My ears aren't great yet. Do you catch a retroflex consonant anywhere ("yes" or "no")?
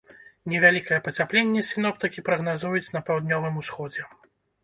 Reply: no